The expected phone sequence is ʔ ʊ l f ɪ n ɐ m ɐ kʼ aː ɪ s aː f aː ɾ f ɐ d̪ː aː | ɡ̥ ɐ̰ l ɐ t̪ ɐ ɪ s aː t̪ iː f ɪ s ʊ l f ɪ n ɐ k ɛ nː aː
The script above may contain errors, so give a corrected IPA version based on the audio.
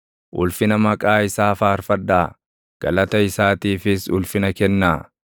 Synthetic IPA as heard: ʔ ʊ l f ɪ n ɐ m ɐ kʼ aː ɪ s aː f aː ɾ f ɐ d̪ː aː | ɡ̥ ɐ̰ l ɐ t̪ ɐ ɪ s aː t̪ iː f ɪ s ʊ l f ɪ n ɐ k ɛ nː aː